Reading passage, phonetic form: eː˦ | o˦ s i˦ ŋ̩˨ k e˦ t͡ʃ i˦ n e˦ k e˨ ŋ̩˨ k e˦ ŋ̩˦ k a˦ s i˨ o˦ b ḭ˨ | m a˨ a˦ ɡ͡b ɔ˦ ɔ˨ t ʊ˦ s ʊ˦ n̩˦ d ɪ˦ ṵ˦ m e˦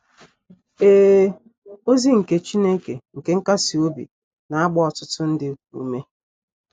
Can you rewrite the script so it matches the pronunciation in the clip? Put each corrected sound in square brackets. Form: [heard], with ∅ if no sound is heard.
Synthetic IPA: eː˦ | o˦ [z] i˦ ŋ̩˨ k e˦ t͡ʃ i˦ n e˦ k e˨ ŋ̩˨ k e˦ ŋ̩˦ k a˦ s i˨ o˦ b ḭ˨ | [n] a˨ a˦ ɡ͡b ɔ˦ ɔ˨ t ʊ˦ [t] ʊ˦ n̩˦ d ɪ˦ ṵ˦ m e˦